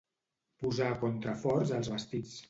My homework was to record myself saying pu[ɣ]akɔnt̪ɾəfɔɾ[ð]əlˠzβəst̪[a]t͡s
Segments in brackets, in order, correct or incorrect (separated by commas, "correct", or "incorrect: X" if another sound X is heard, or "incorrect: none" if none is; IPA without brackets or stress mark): incorrect: z, incorrect: z, incorrect: i